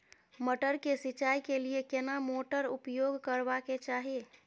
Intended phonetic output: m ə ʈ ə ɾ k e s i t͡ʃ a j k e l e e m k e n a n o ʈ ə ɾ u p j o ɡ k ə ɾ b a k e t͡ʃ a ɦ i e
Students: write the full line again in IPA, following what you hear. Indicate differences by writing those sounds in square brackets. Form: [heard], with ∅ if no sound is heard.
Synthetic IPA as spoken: m ə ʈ ə ɾ k e s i t͡ʃ a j k e l [i] e [∅] k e n a [m] o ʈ ə ɾ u p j o ɡ k ə ɾ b a k e t͡ʃ a ɦ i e